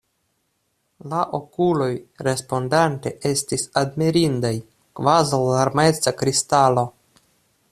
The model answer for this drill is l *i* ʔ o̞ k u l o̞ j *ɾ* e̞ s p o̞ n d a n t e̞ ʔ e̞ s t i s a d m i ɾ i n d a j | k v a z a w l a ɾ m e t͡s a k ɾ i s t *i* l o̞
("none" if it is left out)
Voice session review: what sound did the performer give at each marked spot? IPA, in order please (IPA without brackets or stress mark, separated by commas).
a, ɾ, a